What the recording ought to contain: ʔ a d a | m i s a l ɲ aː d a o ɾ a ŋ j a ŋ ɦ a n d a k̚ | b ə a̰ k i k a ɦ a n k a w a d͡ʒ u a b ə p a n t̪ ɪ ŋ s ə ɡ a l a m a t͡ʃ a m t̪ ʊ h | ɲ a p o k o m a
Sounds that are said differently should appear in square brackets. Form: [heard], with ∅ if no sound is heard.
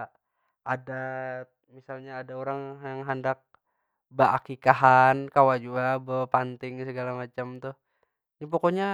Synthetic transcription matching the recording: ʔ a d a | m i s a l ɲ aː d a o ɾ a ŋ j a ŋ ɦ a n d a k̚ | b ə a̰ k i k a ɦ a n k a w a d͡ʒ u a b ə p a n t̪ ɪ ŋ s ə ɡ a l a m a t͡ʃ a m t̪ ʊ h | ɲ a p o k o [ɲ] a